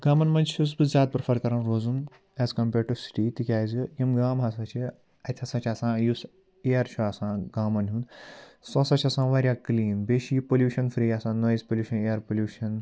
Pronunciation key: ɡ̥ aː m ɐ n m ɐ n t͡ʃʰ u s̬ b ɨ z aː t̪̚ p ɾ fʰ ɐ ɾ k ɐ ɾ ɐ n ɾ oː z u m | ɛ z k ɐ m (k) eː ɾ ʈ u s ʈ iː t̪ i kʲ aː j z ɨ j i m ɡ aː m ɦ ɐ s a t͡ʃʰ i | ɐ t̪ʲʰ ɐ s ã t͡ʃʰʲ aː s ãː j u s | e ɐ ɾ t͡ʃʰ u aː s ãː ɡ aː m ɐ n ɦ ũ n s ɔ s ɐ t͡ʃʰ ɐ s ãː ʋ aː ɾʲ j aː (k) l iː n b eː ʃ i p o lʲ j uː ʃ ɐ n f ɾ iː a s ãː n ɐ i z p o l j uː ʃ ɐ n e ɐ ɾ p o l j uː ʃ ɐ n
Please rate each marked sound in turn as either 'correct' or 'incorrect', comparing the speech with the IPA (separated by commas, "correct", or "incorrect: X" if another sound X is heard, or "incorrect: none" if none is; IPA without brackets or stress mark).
incorrect: p, correct